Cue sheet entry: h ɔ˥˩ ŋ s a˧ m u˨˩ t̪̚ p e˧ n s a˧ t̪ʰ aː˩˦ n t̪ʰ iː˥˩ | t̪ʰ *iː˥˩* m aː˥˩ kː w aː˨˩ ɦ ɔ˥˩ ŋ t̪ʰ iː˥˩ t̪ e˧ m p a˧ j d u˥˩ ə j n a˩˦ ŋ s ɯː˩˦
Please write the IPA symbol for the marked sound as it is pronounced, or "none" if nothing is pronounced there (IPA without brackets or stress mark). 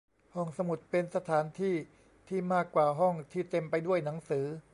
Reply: iː˥˩